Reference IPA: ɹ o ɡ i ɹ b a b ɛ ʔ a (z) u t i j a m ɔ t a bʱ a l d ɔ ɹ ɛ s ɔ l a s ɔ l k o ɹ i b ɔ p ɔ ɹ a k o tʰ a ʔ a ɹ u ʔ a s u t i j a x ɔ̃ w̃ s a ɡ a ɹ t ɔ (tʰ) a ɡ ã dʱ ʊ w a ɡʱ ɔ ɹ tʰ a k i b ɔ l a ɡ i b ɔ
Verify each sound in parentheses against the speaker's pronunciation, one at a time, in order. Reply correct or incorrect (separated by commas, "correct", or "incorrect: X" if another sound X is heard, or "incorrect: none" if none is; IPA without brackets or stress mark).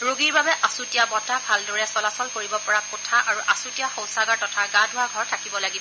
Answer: incorrect: s, correct